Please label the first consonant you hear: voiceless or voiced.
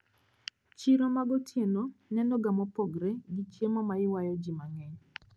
voiceless